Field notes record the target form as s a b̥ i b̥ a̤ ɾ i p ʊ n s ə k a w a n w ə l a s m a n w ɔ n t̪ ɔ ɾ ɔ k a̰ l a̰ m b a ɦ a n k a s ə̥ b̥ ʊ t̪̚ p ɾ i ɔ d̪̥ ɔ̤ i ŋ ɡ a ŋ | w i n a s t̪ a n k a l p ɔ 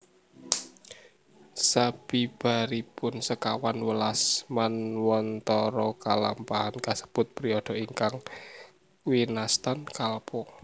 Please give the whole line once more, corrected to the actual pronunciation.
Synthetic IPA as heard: s a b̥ i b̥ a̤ ɾ i p ʊ n s ə k a w a n w ə l a s m a n w ɔ n t̪ ɔ ɾ ɔ k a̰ l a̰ m p a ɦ a n k a s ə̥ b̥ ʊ t̪̚ p ɾ i ɔ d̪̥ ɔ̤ i ŋ k a ŋ | w i n a s t̪ a n k a l p ɔ